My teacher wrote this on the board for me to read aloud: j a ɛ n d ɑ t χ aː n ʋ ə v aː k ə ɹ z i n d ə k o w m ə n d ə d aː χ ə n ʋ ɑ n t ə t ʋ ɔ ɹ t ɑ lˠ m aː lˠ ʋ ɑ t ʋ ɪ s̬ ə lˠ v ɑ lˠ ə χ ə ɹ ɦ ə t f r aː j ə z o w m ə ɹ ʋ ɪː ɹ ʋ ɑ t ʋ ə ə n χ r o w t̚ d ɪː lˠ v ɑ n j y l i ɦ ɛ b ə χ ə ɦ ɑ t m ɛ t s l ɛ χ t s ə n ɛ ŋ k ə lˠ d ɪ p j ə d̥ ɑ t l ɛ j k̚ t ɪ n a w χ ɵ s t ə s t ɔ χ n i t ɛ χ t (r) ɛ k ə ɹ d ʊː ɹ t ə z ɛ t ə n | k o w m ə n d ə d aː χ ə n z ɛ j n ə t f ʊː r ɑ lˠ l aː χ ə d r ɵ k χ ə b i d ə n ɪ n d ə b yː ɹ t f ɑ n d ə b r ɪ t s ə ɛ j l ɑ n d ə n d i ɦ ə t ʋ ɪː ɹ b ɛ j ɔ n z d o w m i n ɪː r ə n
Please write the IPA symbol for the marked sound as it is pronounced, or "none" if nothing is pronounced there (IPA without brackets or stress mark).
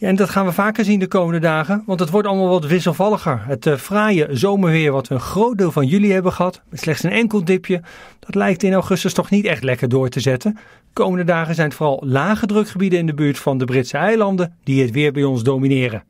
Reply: l